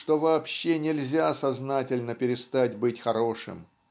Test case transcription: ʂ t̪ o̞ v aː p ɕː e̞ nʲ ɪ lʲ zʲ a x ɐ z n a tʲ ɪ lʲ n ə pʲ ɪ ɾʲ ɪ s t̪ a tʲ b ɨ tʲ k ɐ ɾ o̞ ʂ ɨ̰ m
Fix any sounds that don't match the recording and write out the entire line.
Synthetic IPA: ʂ t̪ o̞ v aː p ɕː e̞ nʲ ɪ lʲ zʲ a s ɐ z n a tʲ ɪ lʲ n ə pʲ ɪ ɾʲ ɪ s t̪ a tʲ b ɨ tʲ x ɐ ɾ o̞ ʂ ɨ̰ m